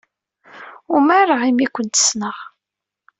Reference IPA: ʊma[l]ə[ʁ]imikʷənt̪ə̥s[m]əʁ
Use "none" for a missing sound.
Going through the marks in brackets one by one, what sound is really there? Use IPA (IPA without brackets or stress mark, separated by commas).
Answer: ɾ, ʁ, n